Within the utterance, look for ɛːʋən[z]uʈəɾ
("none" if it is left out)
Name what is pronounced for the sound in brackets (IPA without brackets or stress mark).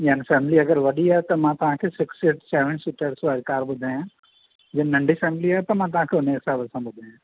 s